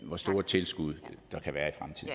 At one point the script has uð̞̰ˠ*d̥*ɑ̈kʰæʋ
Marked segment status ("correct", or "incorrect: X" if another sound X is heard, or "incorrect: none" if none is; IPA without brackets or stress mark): correct